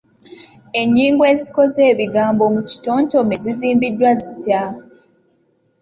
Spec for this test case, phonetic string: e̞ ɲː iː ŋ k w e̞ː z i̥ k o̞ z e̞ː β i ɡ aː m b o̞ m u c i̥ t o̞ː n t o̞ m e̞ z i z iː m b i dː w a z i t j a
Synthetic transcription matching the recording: e̞ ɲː iː ŋ ɡ w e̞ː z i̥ k o̞ z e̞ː β i ɡ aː m b o̞ m u c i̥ t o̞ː n t o̞ m e̞ z i z iː m b i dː w a z i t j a

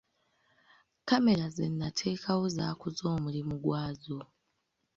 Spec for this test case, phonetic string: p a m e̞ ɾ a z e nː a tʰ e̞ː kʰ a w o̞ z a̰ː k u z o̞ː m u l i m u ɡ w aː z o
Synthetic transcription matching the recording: k a m e̞ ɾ a z e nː a tʰ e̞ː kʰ a w o̞ z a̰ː k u z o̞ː m u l i m u ɡ w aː z o

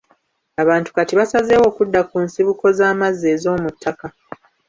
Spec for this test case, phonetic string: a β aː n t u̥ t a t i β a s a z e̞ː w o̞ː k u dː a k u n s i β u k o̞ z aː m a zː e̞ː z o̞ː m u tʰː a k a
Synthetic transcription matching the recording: a β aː n t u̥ k a t i β a s a z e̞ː w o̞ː k u dː a k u n s i β u k o̞ z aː m a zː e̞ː z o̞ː m u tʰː a k a

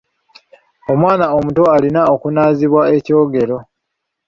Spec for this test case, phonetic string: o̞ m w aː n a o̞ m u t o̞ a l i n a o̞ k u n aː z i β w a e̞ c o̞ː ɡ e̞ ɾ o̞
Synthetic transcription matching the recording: o̞ m w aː n a o̞ m u t o̞ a l i n a o̞ k u n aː z i β w a e̞ c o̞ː ɡ e̞ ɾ o̞

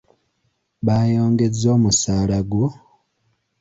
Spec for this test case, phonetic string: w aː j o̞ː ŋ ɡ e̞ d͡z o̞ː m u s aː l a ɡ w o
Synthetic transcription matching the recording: β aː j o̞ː ŋ ɡ e̞ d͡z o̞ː m u s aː l a ɡ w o

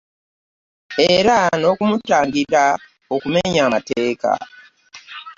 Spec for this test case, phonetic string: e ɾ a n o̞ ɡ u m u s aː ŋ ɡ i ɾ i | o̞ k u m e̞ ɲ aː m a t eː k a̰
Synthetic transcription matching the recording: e ɾ a n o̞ k u m u t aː ŋ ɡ i ɾ a | o̞ k u m e̞ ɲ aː m a t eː k a̰

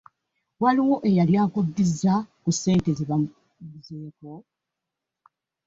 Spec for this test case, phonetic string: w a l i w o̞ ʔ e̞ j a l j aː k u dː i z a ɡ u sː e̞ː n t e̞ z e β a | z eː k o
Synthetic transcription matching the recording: w a l i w o̞ ʔ e̞ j a l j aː k u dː i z a k u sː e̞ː n t e̞ z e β a | z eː k o

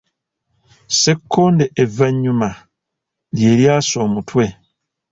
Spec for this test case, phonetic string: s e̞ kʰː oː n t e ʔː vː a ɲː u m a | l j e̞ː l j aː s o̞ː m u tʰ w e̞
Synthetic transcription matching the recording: s e̞ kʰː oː n d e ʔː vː a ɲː u m a | l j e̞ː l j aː s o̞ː m u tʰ w e̞

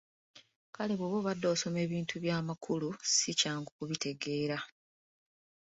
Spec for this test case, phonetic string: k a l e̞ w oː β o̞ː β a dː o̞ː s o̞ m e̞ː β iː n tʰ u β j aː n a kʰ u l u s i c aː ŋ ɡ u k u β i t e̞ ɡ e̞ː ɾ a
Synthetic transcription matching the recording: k a l e̞ β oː β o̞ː β a dː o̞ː s o̞ m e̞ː β iː n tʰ u β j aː m a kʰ u l u s i c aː ŋ ɡ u k u β i t e̞ ɡ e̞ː ɾ a

